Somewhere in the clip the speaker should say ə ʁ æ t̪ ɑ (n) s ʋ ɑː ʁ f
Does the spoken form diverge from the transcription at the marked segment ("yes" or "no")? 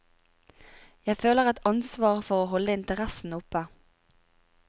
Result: no